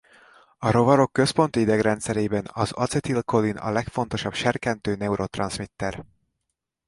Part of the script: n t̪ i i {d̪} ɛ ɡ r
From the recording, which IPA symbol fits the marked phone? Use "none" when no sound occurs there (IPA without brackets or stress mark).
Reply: d̪